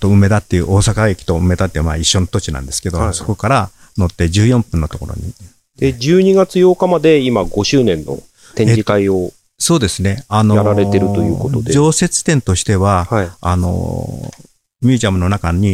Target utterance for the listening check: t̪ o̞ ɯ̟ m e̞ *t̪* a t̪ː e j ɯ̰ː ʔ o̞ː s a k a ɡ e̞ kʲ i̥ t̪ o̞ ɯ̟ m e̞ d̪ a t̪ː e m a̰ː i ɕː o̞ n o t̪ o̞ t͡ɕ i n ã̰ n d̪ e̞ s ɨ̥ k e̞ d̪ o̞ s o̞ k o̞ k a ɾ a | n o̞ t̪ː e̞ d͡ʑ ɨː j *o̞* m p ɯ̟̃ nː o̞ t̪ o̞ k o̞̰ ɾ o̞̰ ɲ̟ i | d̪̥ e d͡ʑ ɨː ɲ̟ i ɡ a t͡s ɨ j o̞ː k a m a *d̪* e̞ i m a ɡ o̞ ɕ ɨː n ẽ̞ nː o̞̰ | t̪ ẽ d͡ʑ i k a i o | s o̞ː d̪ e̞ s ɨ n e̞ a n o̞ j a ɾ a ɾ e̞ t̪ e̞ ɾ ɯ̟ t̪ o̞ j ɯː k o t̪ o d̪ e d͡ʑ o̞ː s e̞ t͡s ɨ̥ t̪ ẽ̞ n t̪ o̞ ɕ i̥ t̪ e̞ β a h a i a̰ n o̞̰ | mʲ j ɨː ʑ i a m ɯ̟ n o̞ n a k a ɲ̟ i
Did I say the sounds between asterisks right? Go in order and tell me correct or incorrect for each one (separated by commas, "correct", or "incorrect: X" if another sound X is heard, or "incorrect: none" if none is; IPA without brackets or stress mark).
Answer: incorrect: d̪, incorrect: õ̞, correct